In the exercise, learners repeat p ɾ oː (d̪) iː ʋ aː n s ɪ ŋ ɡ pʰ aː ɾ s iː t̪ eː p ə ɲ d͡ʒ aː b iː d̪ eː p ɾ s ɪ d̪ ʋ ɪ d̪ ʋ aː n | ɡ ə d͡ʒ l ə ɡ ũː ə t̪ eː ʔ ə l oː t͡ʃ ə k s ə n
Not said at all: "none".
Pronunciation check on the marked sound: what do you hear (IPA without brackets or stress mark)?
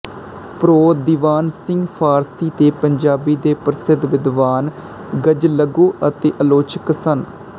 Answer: d̪